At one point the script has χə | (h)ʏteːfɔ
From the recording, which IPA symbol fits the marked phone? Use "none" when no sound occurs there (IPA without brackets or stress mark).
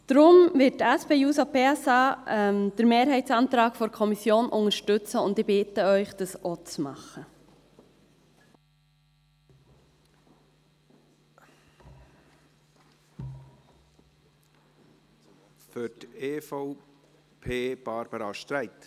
f